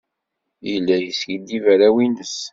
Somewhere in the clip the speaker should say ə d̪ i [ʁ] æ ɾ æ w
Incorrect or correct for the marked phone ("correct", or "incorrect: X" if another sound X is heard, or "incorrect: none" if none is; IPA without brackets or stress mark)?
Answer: incorrect: v